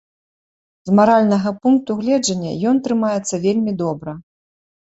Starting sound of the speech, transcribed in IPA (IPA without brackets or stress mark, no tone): z